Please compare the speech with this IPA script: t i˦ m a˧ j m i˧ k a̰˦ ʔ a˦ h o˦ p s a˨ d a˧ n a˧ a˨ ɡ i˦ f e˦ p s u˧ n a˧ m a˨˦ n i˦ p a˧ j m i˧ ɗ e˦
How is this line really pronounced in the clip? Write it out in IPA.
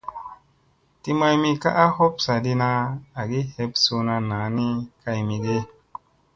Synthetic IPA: t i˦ m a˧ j m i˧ k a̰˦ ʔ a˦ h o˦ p s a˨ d i˧ n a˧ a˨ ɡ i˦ h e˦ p s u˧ n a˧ n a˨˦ n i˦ k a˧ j m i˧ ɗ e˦